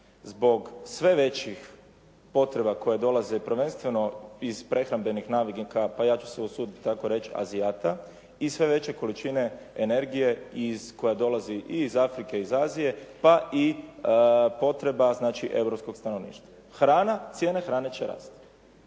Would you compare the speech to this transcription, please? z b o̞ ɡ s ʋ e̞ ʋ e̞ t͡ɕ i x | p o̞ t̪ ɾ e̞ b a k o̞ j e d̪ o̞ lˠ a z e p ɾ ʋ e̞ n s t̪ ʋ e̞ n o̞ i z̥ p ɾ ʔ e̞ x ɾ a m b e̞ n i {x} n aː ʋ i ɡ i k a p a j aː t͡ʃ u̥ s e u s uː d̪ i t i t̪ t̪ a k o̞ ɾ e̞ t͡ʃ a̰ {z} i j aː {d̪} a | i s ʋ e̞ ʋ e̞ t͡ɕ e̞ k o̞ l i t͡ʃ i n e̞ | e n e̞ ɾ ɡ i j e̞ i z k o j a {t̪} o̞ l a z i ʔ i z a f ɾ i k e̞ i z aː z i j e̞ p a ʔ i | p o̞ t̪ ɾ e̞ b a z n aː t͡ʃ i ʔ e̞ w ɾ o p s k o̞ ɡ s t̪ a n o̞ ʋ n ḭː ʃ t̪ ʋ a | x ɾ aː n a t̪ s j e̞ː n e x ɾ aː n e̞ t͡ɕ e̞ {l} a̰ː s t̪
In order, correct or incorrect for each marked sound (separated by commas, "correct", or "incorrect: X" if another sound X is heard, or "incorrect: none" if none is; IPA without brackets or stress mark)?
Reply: correct, correct, incorrect: t̪, incorrect: d̪, incorrect: ɾ